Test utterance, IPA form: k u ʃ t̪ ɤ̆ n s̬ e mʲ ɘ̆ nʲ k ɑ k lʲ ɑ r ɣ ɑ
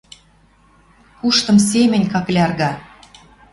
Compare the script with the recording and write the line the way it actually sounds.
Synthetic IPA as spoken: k u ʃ t̪ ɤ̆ m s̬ e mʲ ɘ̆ nʲ k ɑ k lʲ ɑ r ɣ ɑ